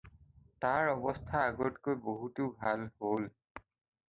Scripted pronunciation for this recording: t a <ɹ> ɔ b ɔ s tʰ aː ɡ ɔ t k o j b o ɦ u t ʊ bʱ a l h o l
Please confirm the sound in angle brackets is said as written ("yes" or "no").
yes